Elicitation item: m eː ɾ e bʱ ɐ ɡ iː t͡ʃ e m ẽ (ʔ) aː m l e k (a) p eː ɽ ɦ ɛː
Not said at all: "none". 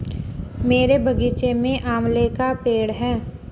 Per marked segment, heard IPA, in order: ʔ, a

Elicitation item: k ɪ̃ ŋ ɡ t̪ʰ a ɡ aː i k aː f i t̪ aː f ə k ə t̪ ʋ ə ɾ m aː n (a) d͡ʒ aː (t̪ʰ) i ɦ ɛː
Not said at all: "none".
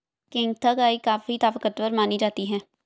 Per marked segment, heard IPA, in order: i, t̪

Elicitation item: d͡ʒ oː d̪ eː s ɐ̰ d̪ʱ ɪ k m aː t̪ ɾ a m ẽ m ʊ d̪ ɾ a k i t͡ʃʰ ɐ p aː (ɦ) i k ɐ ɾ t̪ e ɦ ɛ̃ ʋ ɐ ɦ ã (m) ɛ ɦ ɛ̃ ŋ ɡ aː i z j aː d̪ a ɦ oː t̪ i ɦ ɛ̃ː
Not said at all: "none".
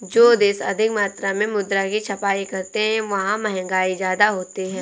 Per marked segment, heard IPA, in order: none, m

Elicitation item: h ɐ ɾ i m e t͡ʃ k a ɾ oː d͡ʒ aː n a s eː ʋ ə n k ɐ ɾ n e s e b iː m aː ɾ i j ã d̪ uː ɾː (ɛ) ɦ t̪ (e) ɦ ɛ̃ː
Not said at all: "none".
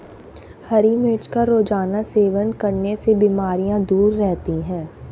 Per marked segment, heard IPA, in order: ɛ, i

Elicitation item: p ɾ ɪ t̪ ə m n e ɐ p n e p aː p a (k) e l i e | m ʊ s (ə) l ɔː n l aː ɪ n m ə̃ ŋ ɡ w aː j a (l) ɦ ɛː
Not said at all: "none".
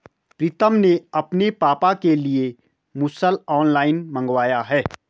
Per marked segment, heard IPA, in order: k, ə, none

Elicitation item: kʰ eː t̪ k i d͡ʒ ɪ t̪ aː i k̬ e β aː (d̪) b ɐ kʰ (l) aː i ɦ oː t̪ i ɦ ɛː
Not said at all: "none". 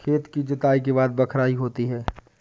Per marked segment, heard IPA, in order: d̪, ɾ

